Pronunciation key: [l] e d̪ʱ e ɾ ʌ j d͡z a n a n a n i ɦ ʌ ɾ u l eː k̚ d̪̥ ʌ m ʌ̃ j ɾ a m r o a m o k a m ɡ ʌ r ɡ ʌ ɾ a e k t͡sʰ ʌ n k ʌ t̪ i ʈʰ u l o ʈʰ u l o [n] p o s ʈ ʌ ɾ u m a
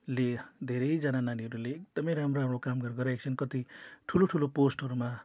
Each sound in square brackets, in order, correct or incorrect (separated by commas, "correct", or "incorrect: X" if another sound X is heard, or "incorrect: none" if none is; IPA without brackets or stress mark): correct, incorrect: none